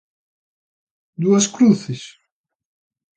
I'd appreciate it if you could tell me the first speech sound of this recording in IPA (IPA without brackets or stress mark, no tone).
d̪